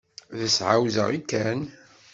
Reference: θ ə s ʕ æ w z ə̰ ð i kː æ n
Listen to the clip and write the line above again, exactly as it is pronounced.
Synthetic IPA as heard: ð ə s ʕ a w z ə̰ ʁ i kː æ n